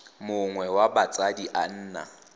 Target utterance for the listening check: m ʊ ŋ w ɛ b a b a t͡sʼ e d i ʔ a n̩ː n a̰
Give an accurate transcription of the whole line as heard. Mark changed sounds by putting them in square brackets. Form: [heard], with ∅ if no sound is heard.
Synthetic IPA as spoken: m ʊ ŋ w ɛ [w] a b a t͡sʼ [a] d i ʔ a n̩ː n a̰